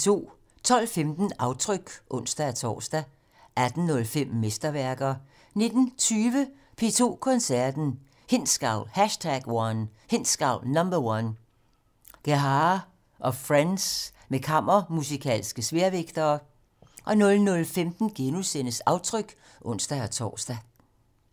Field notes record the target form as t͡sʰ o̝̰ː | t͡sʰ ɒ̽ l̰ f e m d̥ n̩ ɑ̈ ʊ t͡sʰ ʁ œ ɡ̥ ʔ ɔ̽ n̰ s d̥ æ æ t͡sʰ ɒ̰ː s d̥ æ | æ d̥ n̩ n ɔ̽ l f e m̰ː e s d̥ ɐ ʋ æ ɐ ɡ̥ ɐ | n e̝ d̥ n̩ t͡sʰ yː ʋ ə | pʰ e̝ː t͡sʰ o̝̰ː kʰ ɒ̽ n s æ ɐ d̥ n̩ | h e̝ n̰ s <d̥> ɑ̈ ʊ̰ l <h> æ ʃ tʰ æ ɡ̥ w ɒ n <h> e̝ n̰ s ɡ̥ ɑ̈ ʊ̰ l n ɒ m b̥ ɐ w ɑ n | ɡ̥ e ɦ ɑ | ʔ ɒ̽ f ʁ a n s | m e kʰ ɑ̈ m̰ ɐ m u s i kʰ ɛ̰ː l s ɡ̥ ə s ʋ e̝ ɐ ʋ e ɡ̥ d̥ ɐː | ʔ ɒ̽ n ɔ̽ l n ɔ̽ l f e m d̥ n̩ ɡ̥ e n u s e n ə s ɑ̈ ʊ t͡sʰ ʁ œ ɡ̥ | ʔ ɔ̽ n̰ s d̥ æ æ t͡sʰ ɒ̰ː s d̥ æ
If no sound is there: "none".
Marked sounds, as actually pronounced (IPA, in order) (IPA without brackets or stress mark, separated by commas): ɡ̥, h, h